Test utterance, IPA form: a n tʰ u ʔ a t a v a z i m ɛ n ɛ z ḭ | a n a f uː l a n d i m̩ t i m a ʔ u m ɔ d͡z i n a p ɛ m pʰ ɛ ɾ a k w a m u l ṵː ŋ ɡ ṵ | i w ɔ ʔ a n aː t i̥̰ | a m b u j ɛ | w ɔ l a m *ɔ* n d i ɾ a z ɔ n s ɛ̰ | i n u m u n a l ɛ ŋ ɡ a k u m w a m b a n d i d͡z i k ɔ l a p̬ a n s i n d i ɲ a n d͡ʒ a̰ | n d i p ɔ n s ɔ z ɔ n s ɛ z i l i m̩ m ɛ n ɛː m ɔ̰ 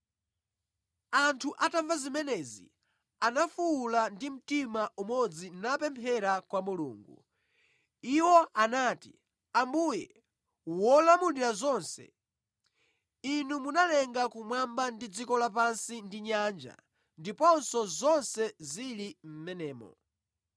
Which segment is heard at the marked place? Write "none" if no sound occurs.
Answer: u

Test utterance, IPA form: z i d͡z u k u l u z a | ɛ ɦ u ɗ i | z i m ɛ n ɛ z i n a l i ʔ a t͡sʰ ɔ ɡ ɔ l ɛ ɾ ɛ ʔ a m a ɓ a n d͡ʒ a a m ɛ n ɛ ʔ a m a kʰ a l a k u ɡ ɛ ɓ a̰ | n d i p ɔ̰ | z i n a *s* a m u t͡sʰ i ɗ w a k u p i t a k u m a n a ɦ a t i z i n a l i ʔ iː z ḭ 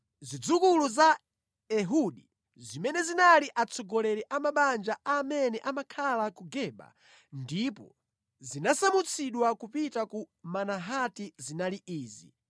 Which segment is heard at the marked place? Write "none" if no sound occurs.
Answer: s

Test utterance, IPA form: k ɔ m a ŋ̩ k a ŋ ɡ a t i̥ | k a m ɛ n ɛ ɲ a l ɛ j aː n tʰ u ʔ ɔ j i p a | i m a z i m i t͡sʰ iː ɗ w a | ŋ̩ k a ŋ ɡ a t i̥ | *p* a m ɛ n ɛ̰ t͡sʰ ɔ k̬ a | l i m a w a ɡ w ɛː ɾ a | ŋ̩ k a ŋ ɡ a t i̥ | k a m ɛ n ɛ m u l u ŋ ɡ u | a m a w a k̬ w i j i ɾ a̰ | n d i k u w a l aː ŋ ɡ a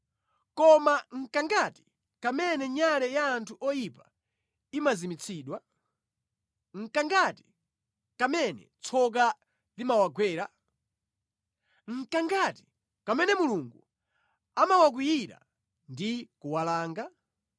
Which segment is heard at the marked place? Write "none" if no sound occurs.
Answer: k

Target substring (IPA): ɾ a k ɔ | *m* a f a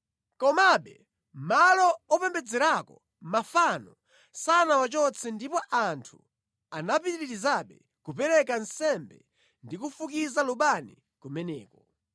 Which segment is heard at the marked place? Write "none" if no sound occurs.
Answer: m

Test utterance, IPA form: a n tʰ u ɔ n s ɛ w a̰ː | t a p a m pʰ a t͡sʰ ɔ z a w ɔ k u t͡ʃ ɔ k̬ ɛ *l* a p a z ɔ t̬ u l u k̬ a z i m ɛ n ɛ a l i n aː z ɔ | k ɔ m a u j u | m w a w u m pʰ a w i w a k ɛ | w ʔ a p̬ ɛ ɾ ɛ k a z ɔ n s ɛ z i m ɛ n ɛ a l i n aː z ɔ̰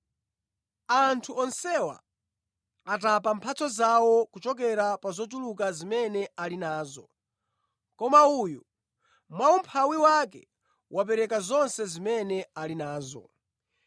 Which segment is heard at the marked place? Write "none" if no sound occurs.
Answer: ɾ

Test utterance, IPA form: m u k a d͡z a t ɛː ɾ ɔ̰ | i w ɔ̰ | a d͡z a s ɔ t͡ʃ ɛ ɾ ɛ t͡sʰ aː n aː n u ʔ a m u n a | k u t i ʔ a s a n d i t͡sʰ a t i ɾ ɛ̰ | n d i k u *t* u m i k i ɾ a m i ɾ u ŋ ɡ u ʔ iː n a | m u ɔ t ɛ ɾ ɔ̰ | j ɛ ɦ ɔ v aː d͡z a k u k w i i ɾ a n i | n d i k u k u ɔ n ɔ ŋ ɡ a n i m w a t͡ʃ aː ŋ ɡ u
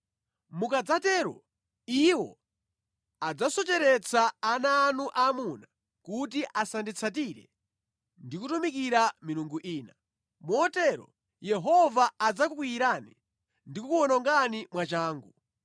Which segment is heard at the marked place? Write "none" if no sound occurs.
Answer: t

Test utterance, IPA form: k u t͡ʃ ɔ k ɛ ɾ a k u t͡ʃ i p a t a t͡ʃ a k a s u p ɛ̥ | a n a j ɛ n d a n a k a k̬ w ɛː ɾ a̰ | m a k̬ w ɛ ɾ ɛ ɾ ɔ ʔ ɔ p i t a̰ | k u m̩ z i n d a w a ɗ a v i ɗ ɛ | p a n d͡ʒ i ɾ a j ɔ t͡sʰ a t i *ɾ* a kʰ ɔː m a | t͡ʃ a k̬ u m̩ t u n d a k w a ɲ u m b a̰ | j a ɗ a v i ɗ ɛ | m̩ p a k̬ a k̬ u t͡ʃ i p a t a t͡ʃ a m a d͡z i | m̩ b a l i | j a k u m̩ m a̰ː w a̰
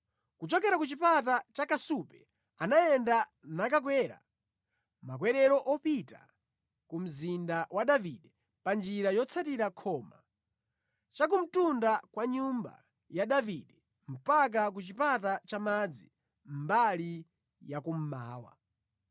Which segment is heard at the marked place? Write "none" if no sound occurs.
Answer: ɾ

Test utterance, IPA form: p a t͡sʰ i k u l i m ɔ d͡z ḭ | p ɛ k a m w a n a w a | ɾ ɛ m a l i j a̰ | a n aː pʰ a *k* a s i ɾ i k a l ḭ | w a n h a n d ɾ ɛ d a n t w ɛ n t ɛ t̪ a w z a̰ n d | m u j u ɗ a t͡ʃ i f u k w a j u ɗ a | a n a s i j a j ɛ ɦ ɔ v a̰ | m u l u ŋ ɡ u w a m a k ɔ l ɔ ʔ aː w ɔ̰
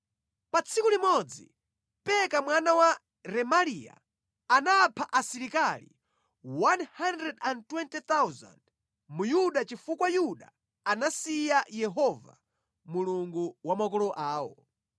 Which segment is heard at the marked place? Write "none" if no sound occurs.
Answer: ʔ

